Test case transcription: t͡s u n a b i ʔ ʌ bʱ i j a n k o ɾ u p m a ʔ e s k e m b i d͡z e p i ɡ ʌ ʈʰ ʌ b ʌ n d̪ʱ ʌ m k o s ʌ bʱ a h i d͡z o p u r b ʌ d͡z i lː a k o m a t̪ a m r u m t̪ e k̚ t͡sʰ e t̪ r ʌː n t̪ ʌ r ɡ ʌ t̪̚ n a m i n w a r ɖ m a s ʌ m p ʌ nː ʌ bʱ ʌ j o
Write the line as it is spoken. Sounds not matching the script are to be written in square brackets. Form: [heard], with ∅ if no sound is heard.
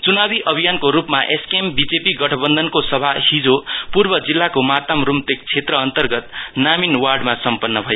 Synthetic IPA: t͡s u n a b i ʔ ʌ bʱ i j a n k o ɾ u p m a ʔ e s k e m b i d͡z e p i ɡ ʌ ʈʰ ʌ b ʌ n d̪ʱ ʌ [n] k o s ʌ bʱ a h i d͡z o p u r b ʌ d͡z i lː a k o m a t̪ a m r u m t̪ e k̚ t͡sʰ e t̪ r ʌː n t̪ ʌ r ɡ ʌ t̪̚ n a m i n w a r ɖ m a s ʌ m p ʌ nː ʌ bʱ ʌ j o